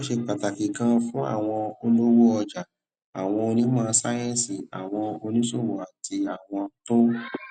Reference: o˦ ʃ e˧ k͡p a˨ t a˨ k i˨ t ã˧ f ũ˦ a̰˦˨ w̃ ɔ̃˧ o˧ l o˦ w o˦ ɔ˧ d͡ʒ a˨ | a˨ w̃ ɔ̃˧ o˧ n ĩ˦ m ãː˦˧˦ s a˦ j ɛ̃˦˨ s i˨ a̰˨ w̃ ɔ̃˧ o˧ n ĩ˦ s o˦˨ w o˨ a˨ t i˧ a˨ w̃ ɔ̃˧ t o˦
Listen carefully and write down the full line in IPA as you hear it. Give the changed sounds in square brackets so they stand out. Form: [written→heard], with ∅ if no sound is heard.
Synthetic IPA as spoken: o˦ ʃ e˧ k͡p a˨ t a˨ k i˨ [t→k] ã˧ f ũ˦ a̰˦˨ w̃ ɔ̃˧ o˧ l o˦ w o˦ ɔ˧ d͡ʒ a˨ | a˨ w̃ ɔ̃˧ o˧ n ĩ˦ m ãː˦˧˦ s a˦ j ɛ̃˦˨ s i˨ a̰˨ w̃ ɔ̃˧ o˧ n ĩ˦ s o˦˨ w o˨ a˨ t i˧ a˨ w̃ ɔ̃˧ t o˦

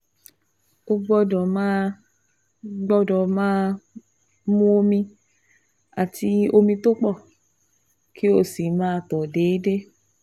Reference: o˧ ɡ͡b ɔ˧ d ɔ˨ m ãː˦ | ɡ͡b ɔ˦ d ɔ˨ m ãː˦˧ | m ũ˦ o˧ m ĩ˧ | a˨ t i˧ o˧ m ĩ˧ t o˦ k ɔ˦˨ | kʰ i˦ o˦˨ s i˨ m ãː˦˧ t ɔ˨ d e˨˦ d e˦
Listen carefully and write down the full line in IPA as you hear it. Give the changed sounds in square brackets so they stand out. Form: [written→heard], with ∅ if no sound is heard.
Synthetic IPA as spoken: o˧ ɡ͡b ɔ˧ d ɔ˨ m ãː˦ | ɡ͡b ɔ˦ d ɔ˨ m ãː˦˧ | m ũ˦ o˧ m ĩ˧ | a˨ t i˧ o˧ m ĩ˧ t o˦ [k→k͡p] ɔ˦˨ | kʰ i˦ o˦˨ s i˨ m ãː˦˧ t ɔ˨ d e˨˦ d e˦

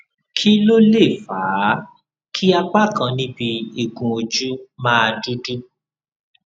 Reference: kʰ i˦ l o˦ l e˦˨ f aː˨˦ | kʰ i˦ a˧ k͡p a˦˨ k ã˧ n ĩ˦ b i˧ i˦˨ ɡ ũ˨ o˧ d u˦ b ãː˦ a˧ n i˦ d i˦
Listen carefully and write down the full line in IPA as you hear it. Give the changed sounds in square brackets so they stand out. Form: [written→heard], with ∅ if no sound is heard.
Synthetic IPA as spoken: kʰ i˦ l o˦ l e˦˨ f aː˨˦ | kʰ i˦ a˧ k͡p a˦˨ k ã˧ n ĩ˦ b i˧ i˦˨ ɡ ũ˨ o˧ [d→d͡ʒ] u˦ [b→m] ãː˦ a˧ [n→d] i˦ d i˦

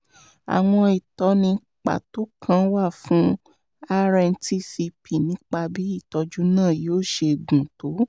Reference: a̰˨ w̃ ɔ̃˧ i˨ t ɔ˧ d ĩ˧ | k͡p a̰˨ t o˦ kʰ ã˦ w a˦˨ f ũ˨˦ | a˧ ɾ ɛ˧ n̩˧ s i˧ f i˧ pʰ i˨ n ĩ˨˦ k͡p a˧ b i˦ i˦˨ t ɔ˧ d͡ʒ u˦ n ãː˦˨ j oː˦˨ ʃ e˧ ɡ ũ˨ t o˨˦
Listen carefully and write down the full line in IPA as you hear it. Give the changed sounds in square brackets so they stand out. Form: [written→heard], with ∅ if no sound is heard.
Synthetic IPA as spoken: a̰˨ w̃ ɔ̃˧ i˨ t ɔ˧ [d→n] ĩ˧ | k͡p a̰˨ t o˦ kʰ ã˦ w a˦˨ f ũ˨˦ | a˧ ɾ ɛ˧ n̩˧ [s→t] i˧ [f→s] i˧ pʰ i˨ n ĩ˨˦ k͡p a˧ b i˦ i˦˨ t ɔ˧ d͡ʒ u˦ n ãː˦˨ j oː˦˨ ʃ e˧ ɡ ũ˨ t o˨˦

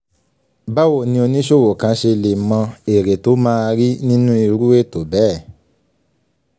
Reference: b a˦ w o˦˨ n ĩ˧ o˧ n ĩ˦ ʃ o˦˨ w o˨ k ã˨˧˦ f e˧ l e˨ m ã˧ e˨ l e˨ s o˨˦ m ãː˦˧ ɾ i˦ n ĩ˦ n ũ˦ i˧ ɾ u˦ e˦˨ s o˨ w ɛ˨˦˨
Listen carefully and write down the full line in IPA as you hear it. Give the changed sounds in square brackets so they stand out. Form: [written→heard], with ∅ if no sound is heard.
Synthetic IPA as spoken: b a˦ w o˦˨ n ĩ˧ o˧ n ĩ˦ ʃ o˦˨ w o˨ k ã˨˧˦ [f→ʃ] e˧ l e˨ m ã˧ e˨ [l→ɾ] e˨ [s→t] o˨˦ m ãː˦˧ ɾ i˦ n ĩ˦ n ũ˦ i˧ ɾ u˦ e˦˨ [s→t] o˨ [w→b] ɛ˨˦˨

